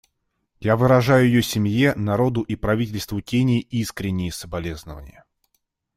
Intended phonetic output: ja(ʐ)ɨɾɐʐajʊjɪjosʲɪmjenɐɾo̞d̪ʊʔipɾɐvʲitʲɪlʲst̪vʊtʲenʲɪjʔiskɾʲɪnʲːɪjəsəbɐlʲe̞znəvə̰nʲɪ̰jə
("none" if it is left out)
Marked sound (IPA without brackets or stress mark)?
v